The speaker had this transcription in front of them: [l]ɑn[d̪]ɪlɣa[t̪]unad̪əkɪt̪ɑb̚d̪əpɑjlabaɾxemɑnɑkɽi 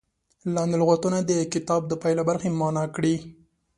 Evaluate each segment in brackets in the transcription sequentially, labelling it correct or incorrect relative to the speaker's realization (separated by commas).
correct, correct, correct